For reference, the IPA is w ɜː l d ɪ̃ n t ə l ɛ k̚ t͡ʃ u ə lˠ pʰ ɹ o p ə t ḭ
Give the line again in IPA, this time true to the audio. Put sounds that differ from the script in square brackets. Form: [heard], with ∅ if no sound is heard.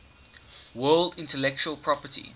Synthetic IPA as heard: w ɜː l d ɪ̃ n t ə l ɛ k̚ t͡ʃ u ə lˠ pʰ ɹ [ɔ] p ə t ḭ